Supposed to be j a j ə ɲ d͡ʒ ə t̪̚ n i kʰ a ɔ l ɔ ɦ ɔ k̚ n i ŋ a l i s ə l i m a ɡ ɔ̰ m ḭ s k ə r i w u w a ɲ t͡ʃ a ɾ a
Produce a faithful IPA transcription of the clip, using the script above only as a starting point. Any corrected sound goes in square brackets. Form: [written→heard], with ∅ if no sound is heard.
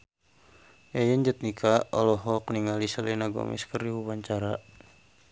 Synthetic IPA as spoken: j a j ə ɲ d͡ʒ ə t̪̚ n i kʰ a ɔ l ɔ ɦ ɔ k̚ n i ŋ a l i s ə l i [m→n] a ɡ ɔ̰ m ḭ s k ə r i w u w a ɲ t͡ʃ a ɾ a